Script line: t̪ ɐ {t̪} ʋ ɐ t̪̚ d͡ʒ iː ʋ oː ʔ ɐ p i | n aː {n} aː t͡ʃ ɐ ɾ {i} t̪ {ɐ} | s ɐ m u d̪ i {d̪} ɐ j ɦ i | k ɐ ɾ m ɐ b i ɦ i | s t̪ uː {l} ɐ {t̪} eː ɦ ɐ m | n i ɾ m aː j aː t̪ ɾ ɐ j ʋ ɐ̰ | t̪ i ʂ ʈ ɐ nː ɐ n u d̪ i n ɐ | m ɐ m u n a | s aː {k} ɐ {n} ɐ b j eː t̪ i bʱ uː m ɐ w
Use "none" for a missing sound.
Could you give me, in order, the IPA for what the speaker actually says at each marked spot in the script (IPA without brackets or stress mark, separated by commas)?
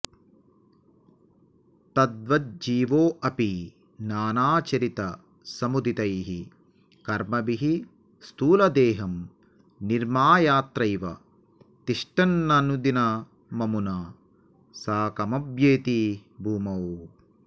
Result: d̪, n, i, ɐ, t̪, l, d̪, k, m